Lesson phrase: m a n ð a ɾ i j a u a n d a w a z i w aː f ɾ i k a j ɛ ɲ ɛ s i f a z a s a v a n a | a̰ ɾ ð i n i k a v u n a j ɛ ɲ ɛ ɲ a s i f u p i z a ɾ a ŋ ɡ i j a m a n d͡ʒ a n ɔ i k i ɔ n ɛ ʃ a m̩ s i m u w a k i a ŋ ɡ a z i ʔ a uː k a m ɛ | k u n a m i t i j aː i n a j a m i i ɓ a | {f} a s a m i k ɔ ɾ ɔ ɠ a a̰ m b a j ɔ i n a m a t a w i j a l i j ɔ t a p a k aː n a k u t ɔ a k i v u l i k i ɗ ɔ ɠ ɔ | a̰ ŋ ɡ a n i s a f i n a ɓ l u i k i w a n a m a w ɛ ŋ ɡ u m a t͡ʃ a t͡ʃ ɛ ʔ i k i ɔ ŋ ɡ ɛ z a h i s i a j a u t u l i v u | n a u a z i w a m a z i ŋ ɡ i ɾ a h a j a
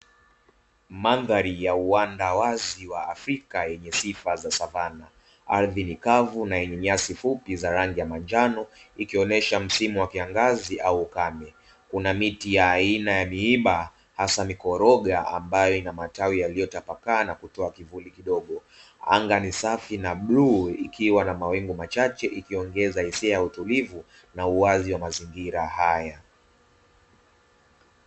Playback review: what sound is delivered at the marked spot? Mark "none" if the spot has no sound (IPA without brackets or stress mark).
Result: h